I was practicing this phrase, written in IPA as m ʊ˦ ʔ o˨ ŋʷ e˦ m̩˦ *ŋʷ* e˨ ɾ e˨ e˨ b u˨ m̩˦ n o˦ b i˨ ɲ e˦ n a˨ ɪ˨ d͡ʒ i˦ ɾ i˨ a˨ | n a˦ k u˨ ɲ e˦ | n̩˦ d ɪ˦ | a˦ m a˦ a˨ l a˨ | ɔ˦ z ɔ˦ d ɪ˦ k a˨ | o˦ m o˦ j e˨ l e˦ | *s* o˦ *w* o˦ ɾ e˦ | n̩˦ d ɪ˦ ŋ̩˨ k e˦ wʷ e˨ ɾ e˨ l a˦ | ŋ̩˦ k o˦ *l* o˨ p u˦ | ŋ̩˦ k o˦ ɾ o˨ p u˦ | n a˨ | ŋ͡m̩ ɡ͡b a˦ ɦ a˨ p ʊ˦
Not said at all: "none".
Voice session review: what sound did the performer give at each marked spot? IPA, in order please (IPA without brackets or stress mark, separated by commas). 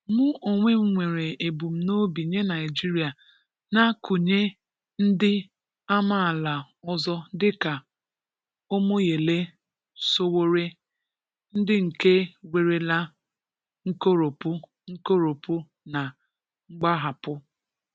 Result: ŋʷ, s, w, ɾ